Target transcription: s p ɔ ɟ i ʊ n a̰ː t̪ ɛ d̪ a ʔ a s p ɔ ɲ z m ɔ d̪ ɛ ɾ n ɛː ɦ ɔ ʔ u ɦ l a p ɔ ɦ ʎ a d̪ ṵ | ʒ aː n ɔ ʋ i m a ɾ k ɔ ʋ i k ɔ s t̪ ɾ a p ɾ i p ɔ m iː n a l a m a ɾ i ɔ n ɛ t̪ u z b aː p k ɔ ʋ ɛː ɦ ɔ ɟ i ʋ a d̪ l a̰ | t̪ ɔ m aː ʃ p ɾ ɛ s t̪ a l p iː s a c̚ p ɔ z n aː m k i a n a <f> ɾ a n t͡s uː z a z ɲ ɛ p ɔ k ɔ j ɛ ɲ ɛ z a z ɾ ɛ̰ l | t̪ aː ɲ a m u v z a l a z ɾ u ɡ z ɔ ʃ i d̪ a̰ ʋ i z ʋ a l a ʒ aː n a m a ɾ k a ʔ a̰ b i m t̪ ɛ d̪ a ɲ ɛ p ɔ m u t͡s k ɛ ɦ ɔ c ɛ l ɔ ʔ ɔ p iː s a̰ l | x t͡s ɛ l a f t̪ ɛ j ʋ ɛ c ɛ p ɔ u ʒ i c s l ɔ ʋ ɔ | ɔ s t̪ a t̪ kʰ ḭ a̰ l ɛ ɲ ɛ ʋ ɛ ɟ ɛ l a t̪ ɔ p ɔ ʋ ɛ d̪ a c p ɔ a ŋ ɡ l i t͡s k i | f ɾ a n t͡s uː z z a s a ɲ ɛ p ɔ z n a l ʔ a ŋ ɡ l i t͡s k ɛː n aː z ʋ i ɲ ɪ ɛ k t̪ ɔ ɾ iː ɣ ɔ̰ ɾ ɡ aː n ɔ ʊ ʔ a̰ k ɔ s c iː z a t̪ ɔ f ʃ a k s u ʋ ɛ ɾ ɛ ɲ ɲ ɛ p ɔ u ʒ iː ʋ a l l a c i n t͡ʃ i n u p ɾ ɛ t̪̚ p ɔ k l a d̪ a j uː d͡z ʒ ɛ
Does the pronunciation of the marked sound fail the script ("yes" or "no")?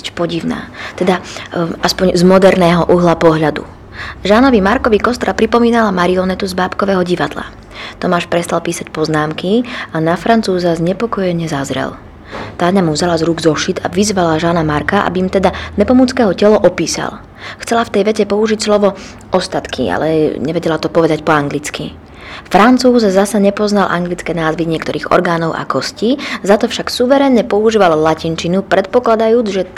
no